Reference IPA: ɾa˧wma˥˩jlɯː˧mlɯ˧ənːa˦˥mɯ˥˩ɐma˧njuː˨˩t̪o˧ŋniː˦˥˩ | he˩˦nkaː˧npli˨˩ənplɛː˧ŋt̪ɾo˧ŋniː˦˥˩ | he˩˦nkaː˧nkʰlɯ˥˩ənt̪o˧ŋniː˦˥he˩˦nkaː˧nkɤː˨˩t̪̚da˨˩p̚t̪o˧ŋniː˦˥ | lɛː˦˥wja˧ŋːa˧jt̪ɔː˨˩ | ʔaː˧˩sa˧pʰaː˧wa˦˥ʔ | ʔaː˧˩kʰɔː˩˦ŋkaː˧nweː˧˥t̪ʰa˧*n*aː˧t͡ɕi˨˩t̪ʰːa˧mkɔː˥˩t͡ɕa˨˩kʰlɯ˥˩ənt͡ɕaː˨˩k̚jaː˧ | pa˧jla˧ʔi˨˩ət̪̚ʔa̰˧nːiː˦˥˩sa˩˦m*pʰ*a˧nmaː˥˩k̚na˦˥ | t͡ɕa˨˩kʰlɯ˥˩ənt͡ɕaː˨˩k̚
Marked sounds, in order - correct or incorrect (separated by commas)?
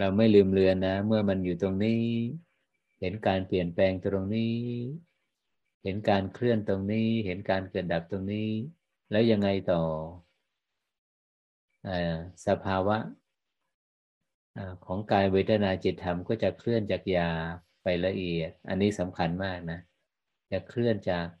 correct, incorrect